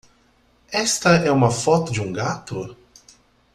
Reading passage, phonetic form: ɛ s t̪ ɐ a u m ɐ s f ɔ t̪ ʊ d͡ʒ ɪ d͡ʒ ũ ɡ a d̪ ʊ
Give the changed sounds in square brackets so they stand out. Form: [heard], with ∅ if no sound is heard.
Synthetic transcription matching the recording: ɛ s t̪ ɐ [ɛ] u m ɐ [∅] f ɔ t̪ ʊ d͡ʒ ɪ [∅] ũ ɡ a [t̪] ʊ